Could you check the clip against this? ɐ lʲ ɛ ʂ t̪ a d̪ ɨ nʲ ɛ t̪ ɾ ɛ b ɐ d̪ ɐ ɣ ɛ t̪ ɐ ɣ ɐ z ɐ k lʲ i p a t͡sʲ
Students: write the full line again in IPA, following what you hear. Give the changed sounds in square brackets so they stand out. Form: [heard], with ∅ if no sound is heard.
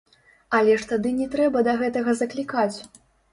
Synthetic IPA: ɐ lʲ ɛ ʂ t̪ a d̪ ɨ nʲ ɛ t̪ ɾ ɛ b ɐ d̪ ɐ ɣ ɛ t̪ ɐ ɣ ɐ z ɐ k lʲ i [k] a t͡sʲ